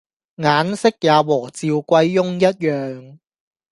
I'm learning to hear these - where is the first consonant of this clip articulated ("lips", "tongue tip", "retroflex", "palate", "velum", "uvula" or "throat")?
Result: velum